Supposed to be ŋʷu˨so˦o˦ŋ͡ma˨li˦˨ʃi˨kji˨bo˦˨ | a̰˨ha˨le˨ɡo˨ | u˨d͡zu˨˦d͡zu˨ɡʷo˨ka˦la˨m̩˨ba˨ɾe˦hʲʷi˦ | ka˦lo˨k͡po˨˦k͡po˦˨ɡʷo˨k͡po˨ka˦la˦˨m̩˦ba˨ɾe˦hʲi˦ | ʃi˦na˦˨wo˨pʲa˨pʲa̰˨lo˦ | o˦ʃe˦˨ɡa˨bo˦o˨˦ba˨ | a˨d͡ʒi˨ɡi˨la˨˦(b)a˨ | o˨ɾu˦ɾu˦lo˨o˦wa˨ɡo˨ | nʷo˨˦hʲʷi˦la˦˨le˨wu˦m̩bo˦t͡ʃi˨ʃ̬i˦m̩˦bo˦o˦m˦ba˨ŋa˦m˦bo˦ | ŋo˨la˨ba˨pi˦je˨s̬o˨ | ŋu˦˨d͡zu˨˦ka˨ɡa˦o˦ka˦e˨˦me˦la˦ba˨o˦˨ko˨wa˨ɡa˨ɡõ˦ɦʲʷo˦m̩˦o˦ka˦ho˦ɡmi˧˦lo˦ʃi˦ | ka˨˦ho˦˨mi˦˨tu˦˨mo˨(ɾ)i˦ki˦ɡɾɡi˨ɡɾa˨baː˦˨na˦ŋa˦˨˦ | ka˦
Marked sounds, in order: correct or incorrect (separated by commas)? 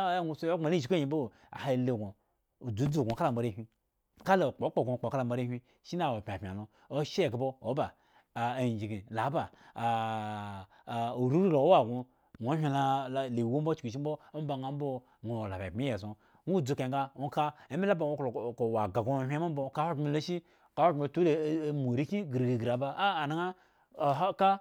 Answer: correct, correct